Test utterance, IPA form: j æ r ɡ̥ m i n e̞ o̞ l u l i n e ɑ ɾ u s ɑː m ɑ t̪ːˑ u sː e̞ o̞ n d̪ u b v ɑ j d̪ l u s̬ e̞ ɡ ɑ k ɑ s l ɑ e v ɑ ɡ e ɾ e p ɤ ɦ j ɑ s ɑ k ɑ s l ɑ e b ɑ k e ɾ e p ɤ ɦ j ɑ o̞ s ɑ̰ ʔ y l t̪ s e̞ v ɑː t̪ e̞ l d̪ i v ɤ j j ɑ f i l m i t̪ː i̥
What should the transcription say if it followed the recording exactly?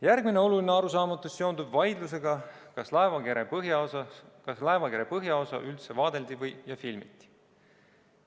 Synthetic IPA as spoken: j æ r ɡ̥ m i n e̞ o̞ l u l i n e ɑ ɾ u s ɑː m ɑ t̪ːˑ u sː e̞ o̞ n d̪ u b v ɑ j d̪ l u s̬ e̞ ɡ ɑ k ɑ s l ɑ e v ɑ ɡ e ɾ e p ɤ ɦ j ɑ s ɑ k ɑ s l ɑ e v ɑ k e ɾ e p ɤ ɦ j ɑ o̞ s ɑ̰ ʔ y l t̪ s e̞ v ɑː d̪ e̞ l d̪ i v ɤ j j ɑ f i l m i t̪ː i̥